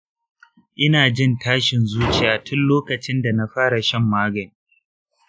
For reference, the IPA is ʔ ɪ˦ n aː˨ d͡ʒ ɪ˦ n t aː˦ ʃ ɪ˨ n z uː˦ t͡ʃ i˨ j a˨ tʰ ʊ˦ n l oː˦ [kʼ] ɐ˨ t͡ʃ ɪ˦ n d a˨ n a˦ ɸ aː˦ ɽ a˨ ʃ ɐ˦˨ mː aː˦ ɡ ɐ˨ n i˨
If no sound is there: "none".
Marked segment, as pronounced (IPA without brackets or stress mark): k